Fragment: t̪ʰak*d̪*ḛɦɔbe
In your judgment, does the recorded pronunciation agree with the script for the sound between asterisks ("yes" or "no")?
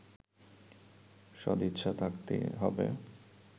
no